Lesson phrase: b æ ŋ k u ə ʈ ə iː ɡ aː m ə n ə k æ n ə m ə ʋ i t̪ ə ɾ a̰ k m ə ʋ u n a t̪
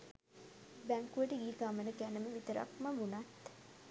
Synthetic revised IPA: b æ ŋ k u ə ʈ ə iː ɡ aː m ə n ə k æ n ə m ə ʋ i t̪ ə ɾ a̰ k m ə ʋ u n a t̪